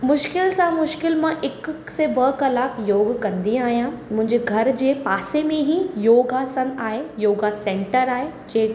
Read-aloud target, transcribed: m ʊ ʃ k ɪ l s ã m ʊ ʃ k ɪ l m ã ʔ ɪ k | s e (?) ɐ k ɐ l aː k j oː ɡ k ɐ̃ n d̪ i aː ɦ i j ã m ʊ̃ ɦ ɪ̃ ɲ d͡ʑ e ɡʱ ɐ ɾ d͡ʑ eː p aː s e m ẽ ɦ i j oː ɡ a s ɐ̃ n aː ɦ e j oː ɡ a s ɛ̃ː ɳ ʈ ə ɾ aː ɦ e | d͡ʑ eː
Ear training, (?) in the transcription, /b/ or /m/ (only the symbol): b